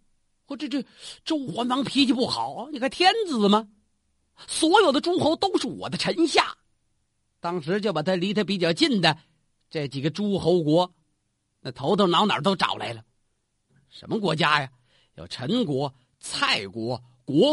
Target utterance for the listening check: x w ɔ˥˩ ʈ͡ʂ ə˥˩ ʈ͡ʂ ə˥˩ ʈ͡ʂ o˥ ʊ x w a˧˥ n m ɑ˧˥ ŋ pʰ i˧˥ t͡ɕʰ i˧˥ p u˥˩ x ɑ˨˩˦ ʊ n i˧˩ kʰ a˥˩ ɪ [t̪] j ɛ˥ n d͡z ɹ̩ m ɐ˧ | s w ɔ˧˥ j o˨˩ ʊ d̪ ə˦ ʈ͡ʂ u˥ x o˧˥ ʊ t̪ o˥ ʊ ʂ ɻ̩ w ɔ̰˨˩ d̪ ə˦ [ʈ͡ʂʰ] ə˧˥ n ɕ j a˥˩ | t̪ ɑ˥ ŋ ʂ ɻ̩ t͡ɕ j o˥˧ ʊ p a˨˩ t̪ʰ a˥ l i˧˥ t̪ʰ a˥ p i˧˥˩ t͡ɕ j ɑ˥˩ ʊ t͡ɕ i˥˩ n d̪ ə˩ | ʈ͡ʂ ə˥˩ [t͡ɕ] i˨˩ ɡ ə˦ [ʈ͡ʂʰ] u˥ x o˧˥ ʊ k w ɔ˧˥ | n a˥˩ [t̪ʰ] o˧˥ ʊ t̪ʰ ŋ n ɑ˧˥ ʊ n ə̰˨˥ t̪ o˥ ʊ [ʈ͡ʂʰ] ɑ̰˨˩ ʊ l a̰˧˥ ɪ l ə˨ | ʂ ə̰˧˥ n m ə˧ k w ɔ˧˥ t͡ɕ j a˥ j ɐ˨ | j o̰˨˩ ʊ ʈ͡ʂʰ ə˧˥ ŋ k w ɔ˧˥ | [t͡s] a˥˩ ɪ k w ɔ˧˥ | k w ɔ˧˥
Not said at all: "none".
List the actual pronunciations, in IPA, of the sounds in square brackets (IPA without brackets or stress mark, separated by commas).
t̪ʰ, ʈ͡ʂʰ, t͡ɕ, ʈ͡ʂ, t̪ʰ, ʈ͡ʂ, t͡sʰ